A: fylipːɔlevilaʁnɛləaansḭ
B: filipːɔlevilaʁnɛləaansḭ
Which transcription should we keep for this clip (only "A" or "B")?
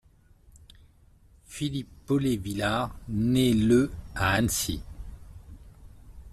B